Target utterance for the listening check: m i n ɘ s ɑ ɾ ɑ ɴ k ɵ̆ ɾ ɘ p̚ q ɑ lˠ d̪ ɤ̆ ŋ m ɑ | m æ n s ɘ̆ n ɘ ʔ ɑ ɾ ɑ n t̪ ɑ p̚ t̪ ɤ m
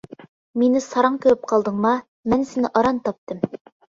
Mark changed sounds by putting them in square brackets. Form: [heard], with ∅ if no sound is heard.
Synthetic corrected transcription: m i n ɘ s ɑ ɾ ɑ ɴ k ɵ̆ ɾ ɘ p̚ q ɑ lˠ d̪ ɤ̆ [ɴ] m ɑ | m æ n s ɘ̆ n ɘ ʔ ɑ ɾ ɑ n t̪ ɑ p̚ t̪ ɤ m